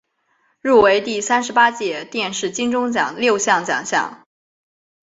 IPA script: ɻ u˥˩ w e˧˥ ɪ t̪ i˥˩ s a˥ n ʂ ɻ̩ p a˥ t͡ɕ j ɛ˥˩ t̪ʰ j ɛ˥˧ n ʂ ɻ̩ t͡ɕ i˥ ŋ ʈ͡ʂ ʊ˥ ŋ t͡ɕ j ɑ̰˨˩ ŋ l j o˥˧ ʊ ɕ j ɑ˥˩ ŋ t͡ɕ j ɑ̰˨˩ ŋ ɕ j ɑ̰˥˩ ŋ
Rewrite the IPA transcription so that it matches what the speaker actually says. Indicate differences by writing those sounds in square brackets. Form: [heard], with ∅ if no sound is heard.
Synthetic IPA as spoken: ɻ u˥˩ w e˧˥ ɪ t̪ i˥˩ s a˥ n ʂ ɻ̩ p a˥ t͡ɕ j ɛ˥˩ [t̪] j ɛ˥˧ n ʂ ɻ̩ t͡ɕ i˥ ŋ ʈ͡ʂ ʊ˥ ŋ t͡ɕ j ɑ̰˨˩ ŋ l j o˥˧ ʊ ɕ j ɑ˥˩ ŋ t͡ɕ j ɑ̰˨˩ ŋ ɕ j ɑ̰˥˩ ŋ